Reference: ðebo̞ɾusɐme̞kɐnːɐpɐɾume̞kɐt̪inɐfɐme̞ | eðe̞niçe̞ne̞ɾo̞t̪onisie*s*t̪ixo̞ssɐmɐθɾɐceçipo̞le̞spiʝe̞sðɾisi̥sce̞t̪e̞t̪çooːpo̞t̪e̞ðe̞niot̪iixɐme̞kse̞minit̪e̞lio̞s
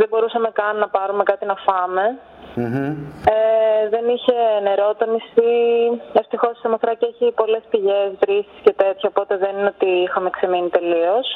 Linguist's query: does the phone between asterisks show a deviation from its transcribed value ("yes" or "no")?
yes